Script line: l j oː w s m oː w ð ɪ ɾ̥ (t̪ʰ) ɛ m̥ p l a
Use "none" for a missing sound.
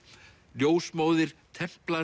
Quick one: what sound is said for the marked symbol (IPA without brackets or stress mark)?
t̪ʰ